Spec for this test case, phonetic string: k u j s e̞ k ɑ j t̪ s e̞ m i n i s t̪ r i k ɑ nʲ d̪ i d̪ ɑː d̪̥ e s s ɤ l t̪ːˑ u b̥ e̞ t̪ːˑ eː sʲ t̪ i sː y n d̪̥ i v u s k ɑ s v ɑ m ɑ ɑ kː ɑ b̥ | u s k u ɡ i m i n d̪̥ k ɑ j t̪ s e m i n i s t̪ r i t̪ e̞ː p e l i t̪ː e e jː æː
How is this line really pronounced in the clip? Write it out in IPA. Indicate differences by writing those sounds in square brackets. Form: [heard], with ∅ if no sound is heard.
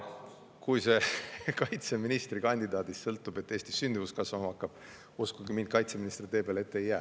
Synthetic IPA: k u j s e̞ k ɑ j t̪ s e̞ m i n i s t̪ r i k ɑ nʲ d̪ i d̪ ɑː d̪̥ [i] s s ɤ l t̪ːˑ u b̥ e̞ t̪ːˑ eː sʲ t̪ i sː y n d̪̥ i v u s k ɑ s v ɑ m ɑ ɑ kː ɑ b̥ | u s k u ɡ i m i n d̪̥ k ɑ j t̪ s e m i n i s t̪ r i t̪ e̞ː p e l [e] t̪ː e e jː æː